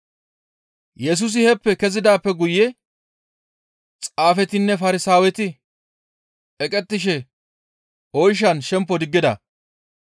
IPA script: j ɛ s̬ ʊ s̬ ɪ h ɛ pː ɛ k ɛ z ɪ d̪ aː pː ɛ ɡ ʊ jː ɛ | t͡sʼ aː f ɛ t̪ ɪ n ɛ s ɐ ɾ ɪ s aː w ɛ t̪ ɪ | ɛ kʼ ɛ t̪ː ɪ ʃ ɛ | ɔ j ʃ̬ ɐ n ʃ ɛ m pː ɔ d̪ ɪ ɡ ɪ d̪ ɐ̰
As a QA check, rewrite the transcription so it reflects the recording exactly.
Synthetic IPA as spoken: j ɛ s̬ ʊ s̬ ɪ h ɛ pː ɛ k ɛ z ɪ d̪ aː pː ɛ ɡ ʊ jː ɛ | t͡sʼ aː f ɛ t̪ ɪ nː ɛ f ɐ ɾ ɪ s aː w ɛ t̪ ɪ | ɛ kʼ ɛ t̪ː ɪ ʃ ɛ | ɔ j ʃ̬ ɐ n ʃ ɛ m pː ɔ d̪ ɪ ɡː ɪ d̪ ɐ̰

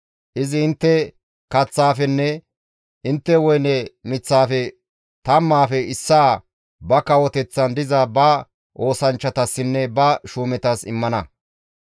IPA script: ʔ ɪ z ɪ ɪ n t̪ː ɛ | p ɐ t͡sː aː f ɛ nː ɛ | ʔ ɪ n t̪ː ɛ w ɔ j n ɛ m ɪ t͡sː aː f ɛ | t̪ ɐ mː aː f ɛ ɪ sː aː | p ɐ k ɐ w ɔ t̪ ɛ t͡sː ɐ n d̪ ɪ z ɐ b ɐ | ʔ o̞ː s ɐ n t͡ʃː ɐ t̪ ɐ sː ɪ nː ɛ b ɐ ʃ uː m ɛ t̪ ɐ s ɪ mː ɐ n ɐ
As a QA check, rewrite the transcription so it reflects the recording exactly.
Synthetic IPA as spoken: ʔ ɪ z ɪ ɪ n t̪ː ɛ | k ɐ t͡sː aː f ɛ nː ɛ | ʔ ɪ n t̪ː ɛ w ɔ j n ɛ m ɪ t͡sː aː f ɛ | t̪ ɐ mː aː f ɛ ɪ sː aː | b ɐ k ɐ w ɔ t̪ ɛ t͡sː ɐ n d̪ ɪ z ɐ b ɐ | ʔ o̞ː s ɐ n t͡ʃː ɐ t̪ ɐ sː ɪ nː ɛ b ɐ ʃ uː m ɛ t̪ ɐ s ɪ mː ɐ n ɐ

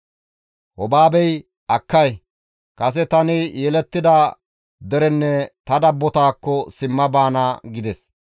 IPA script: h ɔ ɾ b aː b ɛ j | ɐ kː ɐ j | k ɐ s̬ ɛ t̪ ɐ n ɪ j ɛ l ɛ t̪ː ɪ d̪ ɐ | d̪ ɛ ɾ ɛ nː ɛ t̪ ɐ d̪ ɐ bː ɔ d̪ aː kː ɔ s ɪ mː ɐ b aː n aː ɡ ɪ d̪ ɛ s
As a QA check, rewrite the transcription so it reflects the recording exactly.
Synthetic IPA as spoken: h ɔ b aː b ɛ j | ɐ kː ɐ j | k ɐ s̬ ɛ t̪ ɐ n ɪ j ɛ l ɛ t̪ː ɪ d̪ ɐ | d̪ ɛ ɾ ɛ nː ɛ t̪ ɐ d̪ ɐ bː ɔ t̪ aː kː ɔ s ɪ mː ɐ b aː n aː ɡ ɪ d̪ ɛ s

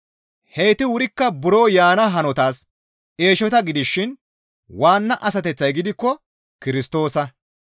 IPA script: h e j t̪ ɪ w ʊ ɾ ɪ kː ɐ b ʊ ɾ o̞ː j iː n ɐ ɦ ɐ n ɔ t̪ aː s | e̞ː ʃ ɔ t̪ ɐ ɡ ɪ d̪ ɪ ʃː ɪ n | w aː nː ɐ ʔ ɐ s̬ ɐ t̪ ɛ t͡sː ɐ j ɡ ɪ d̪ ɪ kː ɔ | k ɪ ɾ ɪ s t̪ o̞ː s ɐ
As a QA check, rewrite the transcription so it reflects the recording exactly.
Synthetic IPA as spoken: h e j t̪ ɪ w ʊ ɾ ɪ kː ɐ b ʊ ɾ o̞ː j aː n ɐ ɦ ɐ n ɔ t̪ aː s | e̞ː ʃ ɔ t̪ ɐ ɡ ɪ d̪ ɪ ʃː ɪ n | w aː nː ɐ ʔ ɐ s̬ ɐ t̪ ɛ t͡sː ɐ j ɡ ɪ d̪ ɪ kː ɔ | k ɪ ɾ ɪ s t̪ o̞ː s ɐ

